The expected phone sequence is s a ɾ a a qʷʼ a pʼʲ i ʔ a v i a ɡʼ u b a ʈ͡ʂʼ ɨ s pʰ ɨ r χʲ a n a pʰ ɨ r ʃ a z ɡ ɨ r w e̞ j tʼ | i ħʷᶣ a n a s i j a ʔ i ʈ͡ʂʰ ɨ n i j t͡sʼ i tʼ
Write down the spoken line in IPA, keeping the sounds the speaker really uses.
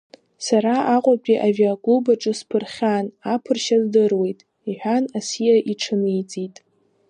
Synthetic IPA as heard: s a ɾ a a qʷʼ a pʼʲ i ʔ a v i a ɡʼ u b a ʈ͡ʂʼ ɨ s pʰ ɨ r χʲ a n a pʰ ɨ r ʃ a z d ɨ r w e̞ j tʼ | i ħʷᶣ a n a s i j a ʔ i ʈ͡ʂʰ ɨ n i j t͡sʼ i tʼ